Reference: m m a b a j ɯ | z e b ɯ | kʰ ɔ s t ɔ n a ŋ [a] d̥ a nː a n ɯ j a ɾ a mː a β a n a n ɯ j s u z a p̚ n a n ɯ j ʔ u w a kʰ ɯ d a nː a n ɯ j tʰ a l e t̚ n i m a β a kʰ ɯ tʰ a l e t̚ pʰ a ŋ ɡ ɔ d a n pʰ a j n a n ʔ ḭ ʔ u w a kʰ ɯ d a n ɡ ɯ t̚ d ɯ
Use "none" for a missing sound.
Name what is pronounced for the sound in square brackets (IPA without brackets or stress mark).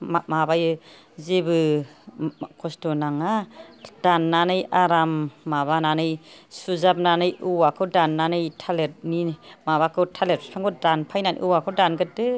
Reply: a